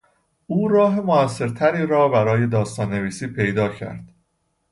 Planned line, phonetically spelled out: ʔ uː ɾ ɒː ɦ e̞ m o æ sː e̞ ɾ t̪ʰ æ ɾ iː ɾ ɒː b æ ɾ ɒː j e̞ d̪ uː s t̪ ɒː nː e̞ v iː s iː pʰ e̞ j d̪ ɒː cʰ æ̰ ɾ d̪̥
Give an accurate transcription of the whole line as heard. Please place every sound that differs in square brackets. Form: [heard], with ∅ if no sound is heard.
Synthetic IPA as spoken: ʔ uː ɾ ɒː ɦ e̞ m o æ sː e̞ ɾ t̪ʰ æ ɾ iː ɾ ɒː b æ ɾ ɒː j e̞ d̪ [ɒː] s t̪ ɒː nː e̞ v iː s iː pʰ e̞ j d̪ ɒː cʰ æ̰ ɾ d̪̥